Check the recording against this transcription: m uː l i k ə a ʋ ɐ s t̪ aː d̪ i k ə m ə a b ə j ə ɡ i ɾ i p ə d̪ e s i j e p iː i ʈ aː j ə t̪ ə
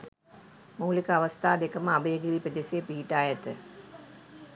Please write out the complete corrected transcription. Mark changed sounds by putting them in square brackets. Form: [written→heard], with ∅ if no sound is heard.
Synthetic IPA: m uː l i k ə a ʋ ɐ s t̪ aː d̪ [i→e] k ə m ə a b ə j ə ɡ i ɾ i p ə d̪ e s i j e p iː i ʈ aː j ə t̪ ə